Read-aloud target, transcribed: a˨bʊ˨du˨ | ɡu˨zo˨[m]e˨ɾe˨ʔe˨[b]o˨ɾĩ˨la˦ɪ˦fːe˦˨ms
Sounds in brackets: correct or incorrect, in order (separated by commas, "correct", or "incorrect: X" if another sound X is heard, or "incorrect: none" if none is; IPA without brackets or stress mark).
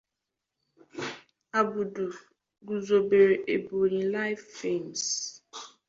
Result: incorrect: b, correct